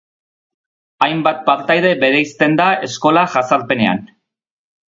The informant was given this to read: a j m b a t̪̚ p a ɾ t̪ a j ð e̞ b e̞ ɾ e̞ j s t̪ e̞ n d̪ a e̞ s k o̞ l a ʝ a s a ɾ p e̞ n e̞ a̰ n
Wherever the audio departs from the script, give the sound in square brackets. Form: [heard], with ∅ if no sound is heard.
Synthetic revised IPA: a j m b a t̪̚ p a ɾ t̪ a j ð e̞ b e̞ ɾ e̞ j s t̪ e̞ n d̪ a e̞ s k o̞ l a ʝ a s a ɾ p e̞ n e̞ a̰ n